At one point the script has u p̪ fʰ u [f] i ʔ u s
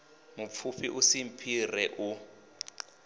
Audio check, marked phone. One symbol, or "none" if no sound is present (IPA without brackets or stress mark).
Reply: f